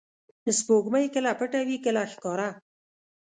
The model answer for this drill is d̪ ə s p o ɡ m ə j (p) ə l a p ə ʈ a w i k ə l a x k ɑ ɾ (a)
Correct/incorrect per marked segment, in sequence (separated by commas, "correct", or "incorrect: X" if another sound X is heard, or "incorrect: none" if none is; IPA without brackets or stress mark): incorrect: k, correct